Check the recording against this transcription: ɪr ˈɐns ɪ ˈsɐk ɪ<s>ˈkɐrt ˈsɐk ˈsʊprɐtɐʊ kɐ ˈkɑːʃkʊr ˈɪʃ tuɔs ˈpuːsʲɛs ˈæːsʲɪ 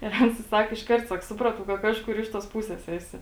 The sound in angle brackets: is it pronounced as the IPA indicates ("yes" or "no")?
no